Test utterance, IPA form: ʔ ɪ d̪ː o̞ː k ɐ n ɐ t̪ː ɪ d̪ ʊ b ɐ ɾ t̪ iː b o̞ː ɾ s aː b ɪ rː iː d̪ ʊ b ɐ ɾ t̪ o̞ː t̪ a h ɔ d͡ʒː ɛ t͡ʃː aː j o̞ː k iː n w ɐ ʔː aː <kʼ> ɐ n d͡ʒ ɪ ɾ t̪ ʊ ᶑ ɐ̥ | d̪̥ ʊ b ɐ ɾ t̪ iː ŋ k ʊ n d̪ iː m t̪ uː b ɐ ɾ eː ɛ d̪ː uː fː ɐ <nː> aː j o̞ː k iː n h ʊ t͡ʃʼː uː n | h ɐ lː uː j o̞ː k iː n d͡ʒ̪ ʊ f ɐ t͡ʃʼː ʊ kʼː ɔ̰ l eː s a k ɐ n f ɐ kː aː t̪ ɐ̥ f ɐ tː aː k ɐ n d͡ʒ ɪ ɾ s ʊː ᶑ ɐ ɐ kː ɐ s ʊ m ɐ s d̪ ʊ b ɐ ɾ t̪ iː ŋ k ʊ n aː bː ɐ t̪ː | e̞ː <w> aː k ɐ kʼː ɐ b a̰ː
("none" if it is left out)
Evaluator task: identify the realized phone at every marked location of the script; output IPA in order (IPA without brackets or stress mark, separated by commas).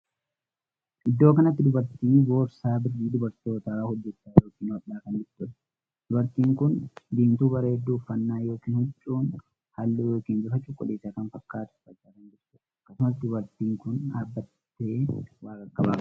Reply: k, nː, w